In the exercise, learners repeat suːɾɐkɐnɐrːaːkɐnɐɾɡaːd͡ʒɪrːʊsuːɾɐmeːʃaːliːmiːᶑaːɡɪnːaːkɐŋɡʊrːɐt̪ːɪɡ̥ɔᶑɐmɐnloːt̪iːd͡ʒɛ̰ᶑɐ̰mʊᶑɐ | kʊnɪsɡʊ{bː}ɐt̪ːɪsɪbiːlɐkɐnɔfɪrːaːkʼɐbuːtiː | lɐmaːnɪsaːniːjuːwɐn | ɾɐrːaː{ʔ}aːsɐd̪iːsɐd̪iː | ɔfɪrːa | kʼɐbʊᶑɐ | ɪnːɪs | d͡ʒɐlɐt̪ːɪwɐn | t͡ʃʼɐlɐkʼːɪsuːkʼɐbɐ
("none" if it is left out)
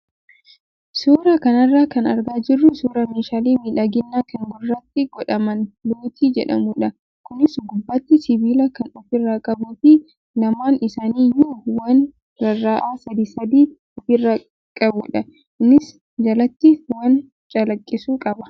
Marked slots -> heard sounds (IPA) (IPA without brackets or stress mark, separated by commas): bː, ʔ